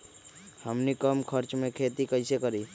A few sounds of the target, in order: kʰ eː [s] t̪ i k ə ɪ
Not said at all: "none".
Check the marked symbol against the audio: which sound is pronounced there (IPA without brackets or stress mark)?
none